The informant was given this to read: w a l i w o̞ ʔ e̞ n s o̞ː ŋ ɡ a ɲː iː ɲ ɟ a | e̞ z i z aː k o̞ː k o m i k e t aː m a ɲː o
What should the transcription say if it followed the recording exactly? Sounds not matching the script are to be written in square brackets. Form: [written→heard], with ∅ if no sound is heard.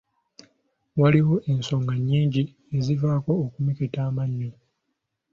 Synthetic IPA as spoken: w a l i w o̞ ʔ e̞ n s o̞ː ŋ ɡ a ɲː iː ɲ ɟ [a→i] | e̞ z i [z→v] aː k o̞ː k [o→u] m i k e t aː m a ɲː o